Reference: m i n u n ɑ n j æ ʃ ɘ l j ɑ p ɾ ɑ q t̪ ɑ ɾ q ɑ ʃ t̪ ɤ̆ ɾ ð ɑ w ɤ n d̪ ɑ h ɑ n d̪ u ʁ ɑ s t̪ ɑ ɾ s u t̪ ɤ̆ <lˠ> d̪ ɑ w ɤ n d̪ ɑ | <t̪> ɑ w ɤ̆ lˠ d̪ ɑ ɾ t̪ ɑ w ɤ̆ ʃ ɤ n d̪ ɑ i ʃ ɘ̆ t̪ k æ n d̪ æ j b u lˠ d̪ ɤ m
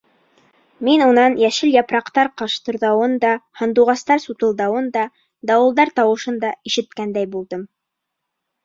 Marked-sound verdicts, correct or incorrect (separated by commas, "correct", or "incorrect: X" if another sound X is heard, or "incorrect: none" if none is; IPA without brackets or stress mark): correct, incorrect: d̪